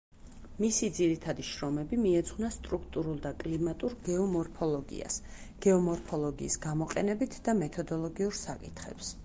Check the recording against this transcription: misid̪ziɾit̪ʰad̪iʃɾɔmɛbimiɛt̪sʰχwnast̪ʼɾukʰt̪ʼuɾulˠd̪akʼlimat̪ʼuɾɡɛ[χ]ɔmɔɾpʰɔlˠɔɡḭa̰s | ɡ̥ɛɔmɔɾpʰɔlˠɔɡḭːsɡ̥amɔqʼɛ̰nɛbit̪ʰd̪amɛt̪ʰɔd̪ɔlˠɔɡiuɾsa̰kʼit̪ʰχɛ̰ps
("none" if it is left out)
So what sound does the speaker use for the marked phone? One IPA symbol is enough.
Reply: none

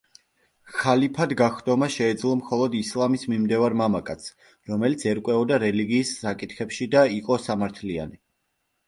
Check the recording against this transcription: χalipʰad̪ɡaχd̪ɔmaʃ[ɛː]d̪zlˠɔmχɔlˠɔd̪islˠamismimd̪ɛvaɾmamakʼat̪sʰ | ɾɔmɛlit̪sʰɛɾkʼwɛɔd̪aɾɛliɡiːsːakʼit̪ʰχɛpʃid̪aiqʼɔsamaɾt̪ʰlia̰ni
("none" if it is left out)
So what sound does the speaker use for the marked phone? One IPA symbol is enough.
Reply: ɛː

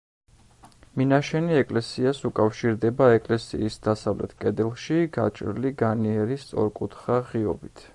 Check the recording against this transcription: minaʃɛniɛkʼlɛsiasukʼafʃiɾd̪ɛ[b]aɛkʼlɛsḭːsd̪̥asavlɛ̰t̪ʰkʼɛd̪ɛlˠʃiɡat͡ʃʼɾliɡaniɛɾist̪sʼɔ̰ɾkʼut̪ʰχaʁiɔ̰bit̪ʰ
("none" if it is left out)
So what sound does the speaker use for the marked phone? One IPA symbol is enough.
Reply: b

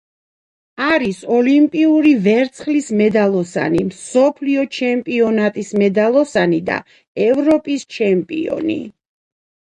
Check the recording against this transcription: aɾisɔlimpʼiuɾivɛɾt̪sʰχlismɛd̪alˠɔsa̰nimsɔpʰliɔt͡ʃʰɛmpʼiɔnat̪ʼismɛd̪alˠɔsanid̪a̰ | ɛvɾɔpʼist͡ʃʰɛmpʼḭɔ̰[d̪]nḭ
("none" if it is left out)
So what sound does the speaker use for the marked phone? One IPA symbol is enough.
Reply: none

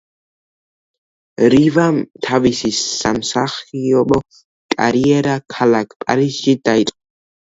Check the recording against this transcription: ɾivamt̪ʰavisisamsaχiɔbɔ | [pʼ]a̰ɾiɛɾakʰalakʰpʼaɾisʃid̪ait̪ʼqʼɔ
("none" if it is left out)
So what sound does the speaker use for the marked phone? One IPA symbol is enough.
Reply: kʼ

